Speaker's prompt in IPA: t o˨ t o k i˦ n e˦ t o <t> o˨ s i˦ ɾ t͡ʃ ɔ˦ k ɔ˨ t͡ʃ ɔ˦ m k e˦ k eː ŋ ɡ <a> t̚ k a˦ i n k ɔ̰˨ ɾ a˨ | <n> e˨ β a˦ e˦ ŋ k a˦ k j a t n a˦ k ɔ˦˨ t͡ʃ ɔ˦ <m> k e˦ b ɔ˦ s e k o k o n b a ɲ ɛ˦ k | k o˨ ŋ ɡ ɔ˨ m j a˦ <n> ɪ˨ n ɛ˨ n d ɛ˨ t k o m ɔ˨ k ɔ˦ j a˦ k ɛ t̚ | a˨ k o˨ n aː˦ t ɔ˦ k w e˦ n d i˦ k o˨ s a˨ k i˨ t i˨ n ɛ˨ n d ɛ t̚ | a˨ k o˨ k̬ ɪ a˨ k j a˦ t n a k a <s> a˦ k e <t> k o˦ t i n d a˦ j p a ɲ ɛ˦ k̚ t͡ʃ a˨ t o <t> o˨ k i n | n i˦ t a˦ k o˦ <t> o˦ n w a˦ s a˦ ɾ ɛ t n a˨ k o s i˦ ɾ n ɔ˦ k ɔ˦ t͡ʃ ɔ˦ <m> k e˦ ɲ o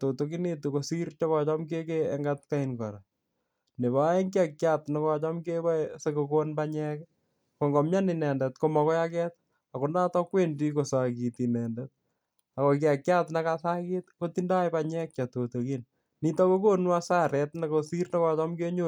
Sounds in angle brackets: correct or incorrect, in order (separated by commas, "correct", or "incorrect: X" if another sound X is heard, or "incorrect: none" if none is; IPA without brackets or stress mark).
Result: incorrect: k, correct, correct, correct, correct, correct, correct, correct, incorrect: k, correct